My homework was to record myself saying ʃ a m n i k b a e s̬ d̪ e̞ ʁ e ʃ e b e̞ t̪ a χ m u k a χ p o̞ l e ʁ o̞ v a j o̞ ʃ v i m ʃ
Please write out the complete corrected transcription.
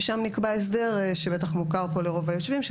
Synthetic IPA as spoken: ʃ a m n i k b a e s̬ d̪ e̞ ʁ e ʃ e b e̞ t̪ a χ m u k a ʁ p o̞ l e ʁ o̞ v a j o̞ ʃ v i m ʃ